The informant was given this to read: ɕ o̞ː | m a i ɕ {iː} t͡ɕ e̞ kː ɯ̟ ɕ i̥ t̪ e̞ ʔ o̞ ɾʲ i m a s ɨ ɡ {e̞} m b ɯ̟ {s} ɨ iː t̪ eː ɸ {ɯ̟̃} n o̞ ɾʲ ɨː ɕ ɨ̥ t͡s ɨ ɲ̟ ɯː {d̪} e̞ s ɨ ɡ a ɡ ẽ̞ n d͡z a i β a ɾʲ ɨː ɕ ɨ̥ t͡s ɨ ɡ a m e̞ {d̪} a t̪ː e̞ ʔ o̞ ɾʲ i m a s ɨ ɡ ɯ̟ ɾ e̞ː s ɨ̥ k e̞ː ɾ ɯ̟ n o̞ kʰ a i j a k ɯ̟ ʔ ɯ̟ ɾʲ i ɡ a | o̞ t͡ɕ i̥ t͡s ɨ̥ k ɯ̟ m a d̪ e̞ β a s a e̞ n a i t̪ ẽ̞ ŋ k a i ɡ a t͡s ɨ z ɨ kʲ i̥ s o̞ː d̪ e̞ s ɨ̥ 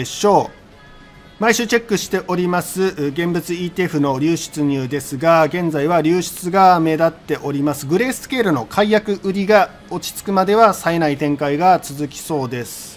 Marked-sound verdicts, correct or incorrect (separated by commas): incorrect, incorrect, incorrect, incorrect, correct, correct